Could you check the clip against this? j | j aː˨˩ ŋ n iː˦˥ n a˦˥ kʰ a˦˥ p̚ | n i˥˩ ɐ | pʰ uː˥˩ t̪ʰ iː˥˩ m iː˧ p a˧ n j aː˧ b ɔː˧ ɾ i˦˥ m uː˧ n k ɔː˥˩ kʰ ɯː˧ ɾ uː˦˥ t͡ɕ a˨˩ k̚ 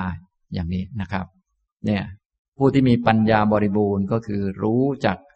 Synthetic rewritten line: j | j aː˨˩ ŋ n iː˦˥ n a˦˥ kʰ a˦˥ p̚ | n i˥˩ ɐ | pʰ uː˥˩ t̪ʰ iː˥˩ m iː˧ p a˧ n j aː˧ b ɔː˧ ɾ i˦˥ b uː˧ n k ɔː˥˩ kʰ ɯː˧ ɾ uː˦˥ t͡ɕ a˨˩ k̚